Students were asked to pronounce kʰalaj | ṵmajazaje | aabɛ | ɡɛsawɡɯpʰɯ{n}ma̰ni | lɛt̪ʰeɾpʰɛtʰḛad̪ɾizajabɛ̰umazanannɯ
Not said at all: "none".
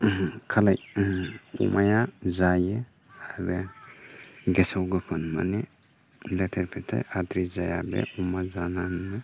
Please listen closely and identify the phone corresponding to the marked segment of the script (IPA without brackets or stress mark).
n